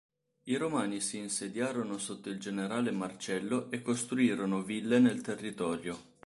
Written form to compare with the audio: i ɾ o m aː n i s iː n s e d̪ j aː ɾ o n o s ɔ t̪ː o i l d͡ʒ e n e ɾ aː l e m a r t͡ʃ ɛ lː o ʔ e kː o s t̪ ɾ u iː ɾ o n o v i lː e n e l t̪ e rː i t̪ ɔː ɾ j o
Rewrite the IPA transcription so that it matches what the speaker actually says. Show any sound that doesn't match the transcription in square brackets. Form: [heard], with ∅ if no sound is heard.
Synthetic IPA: i ɾ o m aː n i s iː n s e d̪ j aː ɾ o n o s [o] t̪ː o i l d͡ʒ e n e ɾ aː l e m a r t͡ʃ ɛ lː o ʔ e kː o s t̪ ɾ u iː ɾ o n o v i lː e n e l t̪ e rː i t̪ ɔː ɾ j o